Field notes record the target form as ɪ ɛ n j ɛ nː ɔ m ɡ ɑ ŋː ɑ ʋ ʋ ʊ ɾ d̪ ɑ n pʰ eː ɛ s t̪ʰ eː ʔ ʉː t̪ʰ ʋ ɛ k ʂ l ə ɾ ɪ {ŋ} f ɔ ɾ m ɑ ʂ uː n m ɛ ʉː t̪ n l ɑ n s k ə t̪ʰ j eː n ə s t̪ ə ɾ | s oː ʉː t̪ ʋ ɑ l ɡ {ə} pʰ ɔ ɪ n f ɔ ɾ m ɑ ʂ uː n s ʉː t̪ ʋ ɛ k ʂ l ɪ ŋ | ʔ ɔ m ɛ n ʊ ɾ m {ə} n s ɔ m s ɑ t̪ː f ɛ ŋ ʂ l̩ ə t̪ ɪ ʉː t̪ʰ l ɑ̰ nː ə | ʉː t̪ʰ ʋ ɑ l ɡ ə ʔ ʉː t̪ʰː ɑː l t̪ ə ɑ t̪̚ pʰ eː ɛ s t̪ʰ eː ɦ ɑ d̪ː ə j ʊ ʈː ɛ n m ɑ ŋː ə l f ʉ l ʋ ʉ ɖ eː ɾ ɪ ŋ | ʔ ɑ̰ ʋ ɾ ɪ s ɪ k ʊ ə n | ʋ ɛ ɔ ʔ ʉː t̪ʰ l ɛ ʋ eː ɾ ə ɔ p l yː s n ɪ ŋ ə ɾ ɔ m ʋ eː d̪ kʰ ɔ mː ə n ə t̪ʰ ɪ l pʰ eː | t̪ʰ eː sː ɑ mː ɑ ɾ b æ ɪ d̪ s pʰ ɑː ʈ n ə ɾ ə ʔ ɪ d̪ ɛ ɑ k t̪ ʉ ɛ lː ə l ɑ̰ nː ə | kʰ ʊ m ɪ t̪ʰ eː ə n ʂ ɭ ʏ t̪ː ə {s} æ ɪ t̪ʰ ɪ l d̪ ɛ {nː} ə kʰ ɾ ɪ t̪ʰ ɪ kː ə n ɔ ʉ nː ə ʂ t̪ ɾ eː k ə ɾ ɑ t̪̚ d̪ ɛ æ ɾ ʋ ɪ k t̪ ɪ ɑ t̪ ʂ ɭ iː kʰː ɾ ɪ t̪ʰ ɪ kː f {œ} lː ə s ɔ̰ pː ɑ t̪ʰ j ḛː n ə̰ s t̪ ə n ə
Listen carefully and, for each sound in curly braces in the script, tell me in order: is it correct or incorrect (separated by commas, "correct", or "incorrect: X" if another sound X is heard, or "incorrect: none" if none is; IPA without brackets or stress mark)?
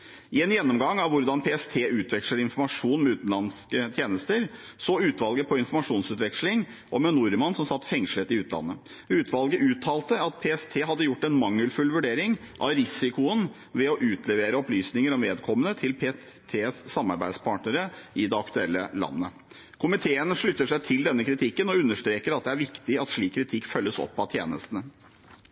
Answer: incorrect: n, correct, incorrect: ɑ, incorrect: ʂ, correct, correct